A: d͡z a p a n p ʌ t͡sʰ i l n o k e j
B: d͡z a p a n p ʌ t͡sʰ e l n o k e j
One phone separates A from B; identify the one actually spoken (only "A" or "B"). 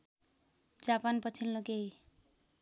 A